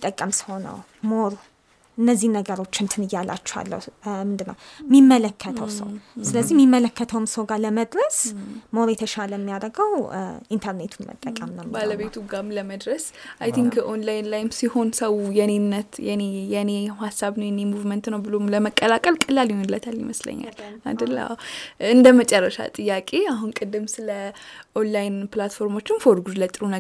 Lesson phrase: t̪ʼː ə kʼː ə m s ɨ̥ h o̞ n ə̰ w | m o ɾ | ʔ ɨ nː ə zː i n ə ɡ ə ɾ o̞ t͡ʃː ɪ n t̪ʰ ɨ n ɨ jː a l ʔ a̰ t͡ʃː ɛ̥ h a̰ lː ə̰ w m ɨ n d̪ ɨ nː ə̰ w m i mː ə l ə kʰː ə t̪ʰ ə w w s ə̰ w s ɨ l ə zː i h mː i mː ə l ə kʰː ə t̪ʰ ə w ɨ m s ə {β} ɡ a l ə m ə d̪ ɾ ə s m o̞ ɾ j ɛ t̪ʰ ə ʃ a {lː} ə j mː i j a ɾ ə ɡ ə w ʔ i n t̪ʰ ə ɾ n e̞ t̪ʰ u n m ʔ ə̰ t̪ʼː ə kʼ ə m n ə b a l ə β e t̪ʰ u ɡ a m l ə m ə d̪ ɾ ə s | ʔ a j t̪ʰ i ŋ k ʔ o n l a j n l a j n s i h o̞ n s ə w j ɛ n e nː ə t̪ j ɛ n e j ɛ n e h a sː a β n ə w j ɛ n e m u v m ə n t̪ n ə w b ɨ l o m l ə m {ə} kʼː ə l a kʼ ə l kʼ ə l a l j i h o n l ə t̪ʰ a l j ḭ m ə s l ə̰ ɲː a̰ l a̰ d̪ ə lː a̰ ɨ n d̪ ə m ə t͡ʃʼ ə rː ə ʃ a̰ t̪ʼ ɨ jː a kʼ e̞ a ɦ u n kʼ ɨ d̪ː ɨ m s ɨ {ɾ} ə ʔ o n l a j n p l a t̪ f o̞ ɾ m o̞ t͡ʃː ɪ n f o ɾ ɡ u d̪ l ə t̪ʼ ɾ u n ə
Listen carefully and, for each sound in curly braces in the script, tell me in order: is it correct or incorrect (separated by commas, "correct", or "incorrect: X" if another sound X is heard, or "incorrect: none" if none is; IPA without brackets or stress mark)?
incorrect: w, incorrect: l, correct, incorrect: l